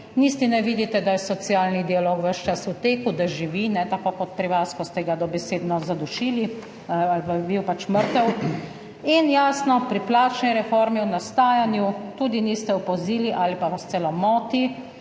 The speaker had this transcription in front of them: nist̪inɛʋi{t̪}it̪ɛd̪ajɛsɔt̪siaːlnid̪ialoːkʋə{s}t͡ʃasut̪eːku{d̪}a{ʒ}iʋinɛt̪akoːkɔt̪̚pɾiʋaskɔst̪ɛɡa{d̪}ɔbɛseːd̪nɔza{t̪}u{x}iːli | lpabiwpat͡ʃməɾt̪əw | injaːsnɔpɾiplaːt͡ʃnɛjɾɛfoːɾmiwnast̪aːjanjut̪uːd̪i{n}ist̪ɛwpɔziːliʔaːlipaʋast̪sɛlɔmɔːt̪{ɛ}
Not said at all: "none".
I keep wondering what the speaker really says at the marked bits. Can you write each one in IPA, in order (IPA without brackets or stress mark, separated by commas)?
d̪, ʃ, d̪, ʒ, d̪, d̪, ʃ, n, i